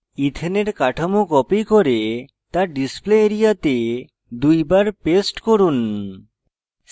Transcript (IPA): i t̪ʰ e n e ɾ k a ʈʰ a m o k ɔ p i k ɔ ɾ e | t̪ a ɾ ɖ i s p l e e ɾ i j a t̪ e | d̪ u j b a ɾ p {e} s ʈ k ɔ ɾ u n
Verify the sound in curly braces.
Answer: correct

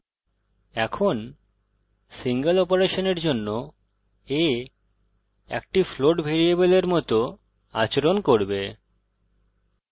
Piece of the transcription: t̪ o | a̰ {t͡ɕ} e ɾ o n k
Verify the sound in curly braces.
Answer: correct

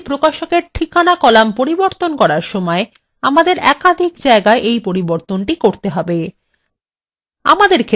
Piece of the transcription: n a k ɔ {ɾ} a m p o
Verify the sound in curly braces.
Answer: incorrect: l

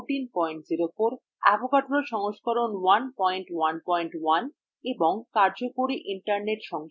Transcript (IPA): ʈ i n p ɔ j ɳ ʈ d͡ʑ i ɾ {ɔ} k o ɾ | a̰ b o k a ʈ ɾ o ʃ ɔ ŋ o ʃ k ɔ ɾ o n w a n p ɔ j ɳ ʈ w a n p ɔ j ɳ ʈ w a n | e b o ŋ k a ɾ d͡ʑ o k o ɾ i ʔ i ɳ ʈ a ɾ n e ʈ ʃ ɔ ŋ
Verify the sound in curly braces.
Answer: incorrect: o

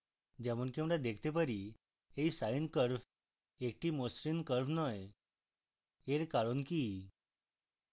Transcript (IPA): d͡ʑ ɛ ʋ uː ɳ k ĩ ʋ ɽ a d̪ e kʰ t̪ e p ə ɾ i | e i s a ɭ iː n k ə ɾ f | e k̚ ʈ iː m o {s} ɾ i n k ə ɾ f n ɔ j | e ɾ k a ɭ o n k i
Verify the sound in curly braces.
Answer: correct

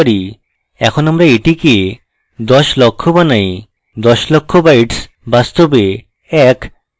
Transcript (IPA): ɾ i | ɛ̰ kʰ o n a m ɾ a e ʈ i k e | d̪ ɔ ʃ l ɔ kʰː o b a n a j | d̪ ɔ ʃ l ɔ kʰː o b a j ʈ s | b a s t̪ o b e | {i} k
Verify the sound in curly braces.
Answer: incorrect: ɛ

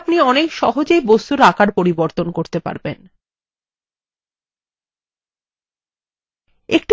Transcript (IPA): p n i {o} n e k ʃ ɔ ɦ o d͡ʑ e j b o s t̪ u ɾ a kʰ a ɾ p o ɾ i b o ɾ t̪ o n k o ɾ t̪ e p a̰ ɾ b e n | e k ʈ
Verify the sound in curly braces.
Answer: incorrect: ɔ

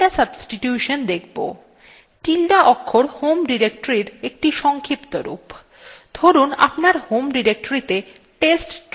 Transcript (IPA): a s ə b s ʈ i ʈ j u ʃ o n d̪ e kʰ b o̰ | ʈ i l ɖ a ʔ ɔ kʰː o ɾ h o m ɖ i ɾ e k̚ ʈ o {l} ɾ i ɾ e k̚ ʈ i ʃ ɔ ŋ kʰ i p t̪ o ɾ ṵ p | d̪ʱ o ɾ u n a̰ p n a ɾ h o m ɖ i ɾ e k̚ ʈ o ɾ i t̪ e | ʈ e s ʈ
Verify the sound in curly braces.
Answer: incorrect: none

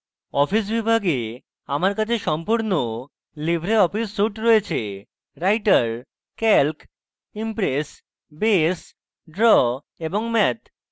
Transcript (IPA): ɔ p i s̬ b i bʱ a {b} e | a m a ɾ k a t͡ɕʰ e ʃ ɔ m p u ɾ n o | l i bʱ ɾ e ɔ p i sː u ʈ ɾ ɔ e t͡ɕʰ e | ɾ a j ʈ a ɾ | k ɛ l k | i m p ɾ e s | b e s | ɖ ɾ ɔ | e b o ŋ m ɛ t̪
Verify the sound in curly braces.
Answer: incorrect: ɡ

